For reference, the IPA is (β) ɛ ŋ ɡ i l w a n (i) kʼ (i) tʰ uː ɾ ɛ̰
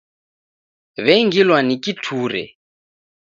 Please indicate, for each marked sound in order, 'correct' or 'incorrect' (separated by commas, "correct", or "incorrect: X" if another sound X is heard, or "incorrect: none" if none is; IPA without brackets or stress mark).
correct, correct, correct